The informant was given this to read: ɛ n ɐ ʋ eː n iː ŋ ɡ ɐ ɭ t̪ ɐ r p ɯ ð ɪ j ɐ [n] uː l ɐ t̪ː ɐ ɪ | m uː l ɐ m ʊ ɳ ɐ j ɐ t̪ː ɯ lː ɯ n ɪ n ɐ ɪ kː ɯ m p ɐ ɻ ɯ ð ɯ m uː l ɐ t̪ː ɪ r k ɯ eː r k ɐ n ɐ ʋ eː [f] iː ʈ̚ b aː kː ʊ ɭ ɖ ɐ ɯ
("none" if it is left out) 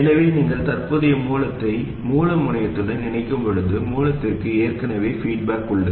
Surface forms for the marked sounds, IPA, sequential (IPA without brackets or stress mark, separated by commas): m, f